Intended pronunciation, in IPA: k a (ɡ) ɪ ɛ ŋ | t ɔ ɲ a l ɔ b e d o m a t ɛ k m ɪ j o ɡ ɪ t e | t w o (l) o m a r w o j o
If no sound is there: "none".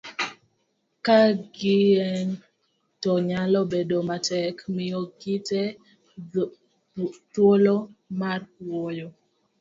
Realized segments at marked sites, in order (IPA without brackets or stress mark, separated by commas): ɡ, l